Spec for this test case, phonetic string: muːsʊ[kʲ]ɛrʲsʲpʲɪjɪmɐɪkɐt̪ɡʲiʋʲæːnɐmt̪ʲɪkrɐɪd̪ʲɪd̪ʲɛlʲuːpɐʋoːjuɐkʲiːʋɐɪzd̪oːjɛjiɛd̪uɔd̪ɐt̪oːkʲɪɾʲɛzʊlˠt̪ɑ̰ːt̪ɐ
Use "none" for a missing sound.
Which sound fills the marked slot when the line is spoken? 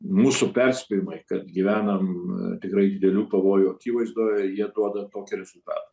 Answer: pʲ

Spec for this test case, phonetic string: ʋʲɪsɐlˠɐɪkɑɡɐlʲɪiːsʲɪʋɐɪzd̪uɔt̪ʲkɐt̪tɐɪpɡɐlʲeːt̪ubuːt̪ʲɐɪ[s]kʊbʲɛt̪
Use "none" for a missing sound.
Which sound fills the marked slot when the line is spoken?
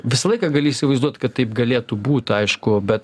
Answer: ʃ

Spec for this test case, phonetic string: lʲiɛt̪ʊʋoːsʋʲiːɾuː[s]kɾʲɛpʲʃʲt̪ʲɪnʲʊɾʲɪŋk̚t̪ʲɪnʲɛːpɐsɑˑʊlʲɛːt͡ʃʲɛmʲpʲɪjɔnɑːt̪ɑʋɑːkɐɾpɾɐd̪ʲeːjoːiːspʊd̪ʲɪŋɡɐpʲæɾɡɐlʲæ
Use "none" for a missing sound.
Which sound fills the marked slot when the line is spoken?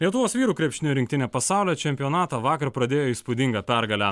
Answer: none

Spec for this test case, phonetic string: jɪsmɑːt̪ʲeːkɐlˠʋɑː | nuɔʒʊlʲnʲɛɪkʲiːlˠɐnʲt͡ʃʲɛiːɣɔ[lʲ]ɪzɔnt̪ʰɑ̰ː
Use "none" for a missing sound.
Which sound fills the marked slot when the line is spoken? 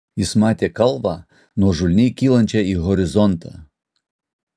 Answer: ɾʲ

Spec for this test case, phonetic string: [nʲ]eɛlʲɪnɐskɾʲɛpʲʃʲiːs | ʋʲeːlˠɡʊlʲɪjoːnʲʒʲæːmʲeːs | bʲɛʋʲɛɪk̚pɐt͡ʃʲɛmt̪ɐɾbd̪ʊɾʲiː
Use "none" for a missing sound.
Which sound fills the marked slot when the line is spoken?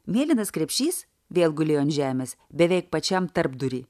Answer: mʲ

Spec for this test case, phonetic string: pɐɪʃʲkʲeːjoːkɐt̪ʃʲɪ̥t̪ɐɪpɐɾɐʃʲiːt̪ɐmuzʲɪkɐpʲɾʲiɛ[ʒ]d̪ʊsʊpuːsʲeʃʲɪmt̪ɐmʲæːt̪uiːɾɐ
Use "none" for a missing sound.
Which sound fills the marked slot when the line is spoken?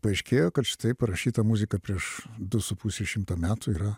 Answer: ʃ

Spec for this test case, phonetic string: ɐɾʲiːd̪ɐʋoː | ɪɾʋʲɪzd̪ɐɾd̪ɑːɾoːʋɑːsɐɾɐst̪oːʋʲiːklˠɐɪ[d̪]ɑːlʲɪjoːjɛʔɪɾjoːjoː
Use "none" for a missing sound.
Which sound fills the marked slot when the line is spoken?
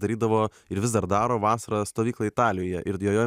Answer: t̪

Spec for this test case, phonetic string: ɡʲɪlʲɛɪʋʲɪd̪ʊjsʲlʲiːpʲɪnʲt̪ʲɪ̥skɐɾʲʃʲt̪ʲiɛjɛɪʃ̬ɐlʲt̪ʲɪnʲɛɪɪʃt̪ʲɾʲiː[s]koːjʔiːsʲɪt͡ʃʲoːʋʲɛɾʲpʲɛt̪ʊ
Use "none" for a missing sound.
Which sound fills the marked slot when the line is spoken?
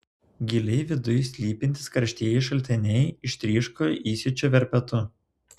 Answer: ʃ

